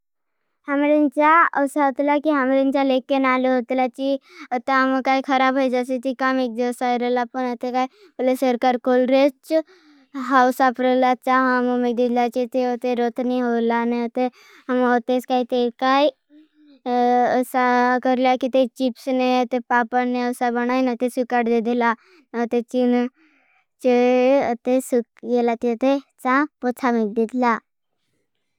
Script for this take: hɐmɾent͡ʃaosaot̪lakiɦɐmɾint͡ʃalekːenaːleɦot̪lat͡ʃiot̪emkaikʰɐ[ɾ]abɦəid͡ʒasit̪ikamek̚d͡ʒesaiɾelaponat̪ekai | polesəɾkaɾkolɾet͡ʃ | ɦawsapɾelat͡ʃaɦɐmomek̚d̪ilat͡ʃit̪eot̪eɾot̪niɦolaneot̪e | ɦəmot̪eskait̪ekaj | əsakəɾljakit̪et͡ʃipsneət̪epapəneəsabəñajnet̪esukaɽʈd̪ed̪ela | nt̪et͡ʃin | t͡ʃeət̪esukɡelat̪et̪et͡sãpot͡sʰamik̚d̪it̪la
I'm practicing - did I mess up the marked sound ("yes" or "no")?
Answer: no